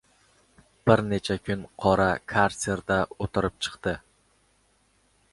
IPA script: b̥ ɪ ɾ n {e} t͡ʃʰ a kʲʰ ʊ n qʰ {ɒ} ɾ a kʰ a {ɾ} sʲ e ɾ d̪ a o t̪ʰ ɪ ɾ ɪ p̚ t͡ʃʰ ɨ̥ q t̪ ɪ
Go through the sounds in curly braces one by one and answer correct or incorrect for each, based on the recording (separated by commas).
correct, correct, correct